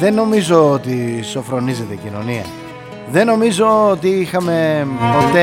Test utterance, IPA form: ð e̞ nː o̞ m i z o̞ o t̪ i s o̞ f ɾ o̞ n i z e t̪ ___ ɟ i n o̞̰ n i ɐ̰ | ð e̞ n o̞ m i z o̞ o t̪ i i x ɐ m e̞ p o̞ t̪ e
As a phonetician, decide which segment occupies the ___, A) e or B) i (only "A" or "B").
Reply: A